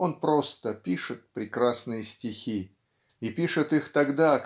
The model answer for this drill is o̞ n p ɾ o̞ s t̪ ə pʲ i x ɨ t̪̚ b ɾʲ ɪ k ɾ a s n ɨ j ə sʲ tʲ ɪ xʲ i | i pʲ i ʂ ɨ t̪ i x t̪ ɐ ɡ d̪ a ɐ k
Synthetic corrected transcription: o̞ n p ɾ o̞ s t̪ ə pʲ i ʂ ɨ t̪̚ p ɾʲ ɪ k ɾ a s n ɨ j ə sʲ tʲ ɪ xʲ i | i pʲ i ʂ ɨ t̪ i x t̪ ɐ ɡ d̪ a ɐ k